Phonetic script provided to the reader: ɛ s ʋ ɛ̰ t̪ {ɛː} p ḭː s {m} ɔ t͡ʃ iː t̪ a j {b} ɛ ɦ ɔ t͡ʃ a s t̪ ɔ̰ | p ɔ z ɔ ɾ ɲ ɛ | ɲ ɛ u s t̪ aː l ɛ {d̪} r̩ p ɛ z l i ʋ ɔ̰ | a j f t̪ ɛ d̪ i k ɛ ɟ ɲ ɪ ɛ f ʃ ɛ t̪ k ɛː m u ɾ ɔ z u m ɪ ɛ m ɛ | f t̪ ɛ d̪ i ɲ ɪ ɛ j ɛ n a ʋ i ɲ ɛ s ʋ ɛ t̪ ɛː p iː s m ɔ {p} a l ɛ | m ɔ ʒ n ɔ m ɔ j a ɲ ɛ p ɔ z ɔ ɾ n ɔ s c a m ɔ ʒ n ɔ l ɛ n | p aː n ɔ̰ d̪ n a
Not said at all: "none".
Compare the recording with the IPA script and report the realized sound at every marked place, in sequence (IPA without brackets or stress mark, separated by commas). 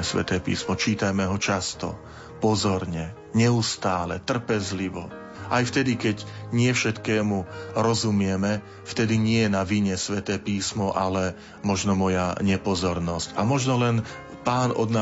ɛː, m, m, t̪, ʔ